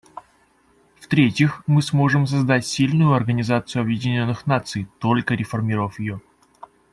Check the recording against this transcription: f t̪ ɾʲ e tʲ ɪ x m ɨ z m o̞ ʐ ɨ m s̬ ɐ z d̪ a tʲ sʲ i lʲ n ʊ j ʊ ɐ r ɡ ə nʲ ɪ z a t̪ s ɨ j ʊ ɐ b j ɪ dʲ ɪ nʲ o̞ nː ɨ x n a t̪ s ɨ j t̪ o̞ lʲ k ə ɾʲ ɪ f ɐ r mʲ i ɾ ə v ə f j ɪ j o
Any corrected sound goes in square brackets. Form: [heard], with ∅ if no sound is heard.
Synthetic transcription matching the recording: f t̪ ɾʲ e tʲ ɪ x m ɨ [s] m o̞ ʐ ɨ m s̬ ɐ z d̪ a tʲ sʲ i lʲ n ʊ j ʊ ɐ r ɡ ə nʲ ɪ z a t̪ s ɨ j ʊ ɐ b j ɪ dʲ ɪ nʲ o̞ nː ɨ x n a t̪ s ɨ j t̪ o̞ lʲ k ə ɾʲ ɪ f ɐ r mʲ i ɾ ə v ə f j ɪ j o